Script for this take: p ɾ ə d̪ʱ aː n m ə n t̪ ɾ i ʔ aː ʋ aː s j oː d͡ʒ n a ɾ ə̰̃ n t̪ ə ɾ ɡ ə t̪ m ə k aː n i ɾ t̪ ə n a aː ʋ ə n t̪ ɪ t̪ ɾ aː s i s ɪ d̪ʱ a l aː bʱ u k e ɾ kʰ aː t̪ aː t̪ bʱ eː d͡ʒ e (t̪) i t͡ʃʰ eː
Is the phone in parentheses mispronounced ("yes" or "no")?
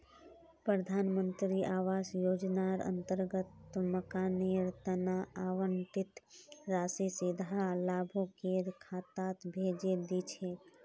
yes